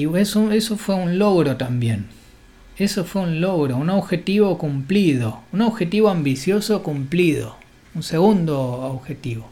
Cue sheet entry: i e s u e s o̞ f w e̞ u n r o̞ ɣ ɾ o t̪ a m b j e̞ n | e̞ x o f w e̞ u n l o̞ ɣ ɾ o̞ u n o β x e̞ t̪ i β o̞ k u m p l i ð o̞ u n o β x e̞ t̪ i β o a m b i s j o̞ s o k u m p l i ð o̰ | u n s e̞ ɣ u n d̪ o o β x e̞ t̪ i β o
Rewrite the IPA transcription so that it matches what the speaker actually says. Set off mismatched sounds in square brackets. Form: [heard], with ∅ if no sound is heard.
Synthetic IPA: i e s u e s o̞ f w e̞ u n [l] o̞ ɣ ɾ o t̪ a m b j e̞ n | e̞ [s] o f w e̞ u n l o̞ ɣ ɾ o̞ u n o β x e̞ t̪ i β o̞ k u m p l i ð o̞ u n o β x e̞ t̪ i β o a m b i s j o̞ s o k u m p l i ð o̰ | u n s e̞ ɣ u n d̪ o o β x e̞ t̪ i β o